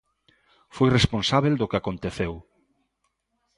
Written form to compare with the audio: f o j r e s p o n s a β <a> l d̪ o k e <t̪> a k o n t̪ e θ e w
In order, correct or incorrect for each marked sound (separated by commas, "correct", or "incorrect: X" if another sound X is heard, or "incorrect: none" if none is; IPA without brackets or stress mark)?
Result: incorrect: e, incorrect: none